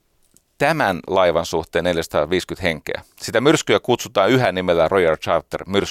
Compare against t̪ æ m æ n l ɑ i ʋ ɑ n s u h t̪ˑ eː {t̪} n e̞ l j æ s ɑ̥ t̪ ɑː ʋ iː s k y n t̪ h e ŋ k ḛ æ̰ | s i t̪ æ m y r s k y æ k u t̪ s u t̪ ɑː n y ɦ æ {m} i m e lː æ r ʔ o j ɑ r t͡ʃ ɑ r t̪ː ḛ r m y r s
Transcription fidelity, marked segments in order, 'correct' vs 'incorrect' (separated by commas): incorrect, incorrect